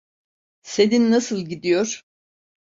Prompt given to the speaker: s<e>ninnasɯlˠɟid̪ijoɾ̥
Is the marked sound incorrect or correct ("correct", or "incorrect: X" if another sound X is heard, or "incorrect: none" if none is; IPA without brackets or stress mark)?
correct